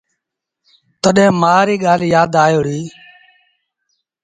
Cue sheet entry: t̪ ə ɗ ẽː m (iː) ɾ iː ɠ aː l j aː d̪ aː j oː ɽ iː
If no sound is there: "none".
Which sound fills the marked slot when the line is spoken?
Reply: aː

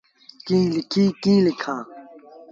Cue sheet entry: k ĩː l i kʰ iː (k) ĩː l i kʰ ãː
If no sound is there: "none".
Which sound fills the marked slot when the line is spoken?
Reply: k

